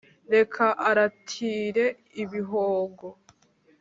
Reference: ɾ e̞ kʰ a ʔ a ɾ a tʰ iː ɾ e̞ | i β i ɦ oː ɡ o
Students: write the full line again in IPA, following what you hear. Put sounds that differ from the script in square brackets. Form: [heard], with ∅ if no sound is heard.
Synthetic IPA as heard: ɾ e̞ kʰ a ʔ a ɾ a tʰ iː ɾ e̞ | i β i ɦ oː ɡ o